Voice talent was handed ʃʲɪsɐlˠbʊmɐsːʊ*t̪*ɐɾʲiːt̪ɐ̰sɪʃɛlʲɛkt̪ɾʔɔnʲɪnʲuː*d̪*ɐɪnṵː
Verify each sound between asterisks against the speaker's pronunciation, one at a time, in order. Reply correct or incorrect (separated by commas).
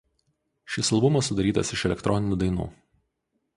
incorrect, correct